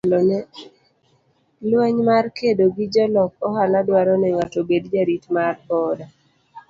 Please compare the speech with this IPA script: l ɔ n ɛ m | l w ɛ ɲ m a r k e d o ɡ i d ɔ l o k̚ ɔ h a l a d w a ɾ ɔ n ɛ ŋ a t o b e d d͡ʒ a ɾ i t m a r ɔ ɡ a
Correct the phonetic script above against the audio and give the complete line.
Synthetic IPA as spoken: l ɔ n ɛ | l w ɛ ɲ m a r k e d o ɡ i d͡ʒ ɔ l ɔ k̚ ɔ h a l a d w a ɾ ɔ n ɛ ŋ a t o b e d d͡ʒ a ɾ i t m a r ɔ d a